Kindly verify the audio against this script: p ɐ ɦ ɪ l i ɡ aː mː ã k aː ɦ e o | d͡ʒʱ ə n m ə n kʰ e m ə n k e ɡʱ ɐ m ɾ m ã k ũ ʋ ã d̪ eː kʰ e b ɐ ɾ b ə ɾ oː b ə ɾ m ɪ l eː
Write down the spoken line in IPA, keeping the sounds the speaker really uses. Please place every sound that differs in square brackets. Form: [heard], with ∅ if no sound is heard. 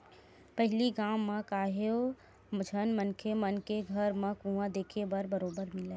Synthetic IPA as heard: p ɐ ɦ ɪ l i ɡ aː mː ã k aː ɦ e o | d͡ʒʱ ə n m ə n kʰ e m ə n k e ɡʱ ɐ [∅] ɾ m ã k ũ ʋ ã d̪ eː kʰ e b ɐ ɾ b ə ɾ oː b ə ɾ m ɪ l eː